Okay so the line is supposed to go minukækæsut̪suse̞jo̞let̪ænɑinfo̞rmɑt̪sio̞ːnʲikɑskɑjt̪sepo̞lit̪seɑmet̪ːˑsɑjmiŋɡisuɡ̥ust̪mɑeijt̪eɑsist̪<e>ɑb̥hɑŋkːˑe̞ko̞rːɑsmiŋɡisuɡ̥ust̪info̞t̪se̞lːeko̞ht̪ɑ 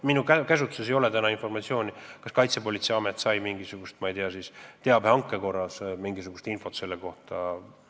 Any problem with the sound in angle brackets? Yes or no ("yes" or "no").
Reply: no